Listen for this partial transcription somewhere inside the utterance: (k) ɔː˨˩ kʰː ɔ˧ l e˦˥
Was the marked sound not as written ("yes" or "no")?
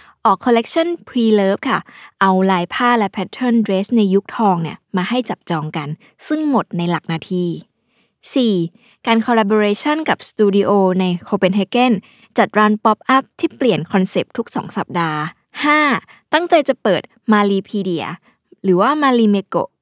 yes